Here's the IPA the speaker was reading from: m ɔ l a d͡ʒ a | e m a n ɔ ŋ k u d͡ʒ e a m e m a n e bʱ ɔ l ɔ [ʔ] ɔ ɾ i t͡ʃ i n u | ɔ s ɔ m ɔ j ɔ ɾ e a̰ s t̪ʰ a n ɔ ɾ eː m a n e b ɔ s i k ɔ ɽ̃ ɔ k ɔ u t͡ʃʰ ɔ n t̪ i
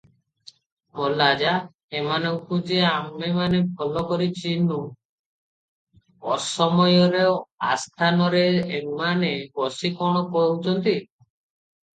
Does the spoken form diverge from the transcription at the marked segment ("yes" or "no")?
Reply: yes